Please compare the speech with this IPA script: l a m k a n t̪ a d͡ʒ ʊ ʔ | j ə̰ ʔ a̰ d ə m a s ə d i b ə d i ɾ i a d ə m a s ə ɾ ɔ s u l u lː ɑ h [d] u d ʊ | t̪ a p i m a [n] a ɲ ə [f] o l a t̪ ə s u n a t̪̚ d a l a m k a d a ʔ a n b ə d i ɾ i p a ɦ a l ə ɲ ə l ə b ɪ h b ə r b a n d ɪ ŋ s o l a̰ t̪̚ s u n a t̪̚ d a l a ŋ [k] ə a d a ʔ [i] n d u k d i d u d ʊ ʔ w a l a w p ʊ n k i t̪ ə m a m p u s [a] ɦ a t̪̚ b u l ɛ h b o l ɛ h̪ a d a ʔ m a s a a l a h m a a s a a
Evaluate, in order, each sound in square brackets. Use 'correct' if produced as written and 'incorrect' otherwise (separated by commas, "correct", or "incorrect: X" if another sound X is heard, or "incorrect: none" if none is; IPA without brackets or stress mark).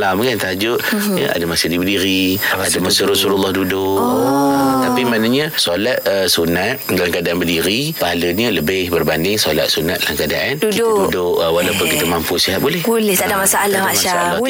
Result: correct, correct, incorrect: s, correct, incorrect: a, incorrect: i